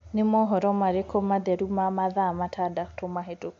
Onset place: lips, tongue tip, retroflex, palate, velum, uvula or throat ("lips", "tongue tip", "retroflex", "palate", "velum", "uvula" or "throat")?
tongue tip